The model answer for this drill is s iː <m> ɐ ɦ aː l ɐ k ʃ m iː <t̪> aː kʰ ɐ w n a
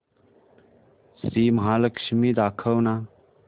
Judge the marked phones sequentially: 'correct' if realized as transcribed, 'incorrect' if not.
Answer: correct, incorrect

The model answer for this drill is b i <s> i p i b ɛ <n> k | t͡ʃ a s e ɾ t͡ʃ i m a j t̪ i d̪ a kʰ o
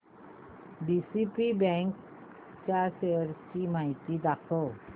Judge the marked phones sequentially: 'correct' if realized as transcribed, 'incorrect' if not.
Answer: correct, incorrect

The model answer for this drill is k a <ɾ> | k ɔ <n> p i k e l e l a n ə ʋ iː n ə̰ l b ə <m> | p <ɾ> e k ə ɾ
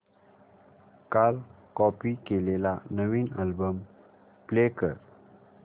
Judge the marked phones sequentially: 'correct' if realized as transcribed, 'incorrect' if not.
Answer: incorrect, incorrect, correct, incorrect

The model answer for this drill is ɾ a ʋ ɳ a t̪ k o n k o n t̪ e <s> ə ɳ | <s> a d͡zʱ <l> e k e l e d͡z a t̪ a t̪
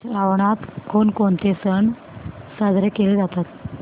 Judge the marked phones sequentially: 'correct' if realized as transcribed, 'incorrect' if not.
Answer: correct, correct, incorrect

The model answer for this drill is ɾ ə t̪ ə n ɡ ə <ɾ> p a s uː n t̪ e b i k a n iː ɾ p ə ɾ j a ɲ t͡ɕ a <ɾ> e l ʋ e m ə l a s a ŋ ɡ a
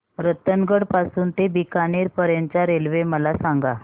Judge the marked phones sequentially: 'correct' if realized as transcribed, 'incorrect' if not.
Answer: incorrect, correct

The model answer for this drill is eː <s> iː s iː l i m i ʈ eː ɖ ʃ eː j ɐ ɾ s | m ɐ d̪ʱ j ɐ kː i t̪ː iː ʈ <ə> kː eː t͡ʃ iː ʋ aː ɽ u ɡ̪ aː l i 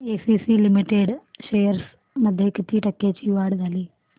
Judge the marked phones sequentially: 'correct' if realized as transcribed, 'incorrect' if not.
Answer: correct, incorrect

